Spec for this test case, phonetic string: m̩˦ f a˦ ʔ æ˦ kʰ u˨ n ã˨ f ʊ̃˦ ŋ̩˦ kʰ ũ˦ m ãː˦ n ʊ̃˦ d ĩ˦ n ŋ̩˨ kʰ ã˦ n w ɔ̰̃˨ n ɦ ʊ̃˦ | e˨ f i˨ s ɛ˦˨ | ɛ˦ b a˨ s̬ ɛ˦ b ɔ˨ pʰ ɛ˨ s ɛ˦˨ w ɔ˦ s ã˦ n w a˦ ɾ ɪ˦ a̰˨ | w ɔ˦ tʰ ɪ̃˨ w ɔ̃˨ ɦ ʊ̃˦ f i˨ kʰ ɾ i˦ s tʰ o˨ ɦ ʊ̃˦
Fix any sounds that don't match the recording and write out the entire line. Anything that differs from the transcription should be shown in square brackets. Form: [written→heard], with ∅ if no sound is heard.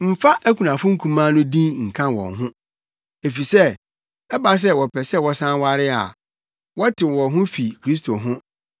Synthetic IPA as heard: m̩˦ f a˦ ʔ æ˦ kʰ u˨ n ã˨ f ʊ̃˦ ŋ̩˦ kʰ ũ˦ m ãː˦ n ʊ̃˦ d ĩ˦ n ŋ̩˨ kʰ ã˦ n w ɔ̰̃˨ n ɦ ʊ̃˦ | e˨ f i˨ s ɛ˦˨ | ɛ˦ b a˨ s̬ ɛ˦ [b→w] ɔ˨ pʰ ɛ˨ s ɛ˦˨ w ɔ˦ s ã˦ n w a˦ ɾ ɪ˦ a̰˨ | w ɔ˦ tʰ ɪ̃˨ w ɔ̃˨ ɦ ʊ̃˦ f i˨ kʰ ɾ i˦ s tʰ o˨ ɦ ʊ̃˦